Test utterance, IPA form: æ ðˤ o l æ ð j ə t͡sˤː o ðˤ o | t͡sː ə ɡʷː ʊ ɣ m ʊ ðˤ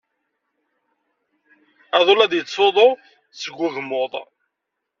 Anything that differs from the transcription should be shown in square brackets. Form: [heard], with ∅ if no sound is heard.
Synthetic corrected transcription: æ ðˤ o l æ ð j ə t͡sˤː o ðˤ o | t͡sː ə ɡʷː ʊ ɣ m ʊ ðˤ